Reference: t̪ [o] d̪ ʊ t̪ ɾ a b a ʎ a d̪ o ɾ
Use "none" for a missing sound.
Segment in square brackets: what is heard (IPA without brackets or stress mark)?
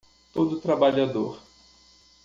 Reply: o